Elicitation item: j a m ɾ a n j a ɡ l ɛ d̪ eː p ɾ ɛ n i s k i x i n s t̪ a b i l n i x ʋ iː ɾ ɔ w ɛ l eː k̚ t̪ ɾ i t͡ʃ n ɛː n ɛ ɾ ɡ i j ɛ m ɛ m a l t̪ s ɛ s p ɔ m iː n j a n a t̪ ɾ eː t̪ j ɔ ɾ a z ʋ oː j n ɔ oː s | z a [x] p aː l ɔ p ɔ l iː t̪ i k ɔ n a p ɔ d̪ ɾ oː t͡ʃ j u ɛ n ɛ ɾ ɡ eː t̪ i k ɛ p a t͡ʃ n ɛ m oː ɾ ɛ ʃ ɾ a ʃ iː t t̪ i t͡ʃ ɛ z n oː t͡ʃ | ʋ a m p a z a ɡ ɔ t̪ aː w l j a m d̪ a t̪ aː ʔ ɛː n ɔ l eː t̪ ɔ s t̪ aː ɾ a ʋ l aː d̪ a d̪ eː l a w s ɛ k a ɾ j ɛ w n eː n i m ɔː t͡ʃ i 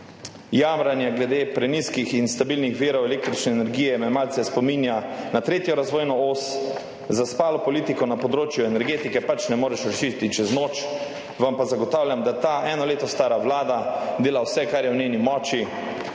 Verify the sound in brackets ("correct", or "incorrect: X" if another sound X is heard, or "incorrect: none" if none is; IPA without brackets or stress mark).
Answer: incorrect: s